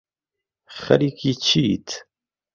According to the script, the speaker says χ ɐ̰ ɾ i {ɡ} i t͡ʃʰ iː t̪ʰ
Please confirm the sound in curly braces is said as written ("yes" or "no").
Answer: no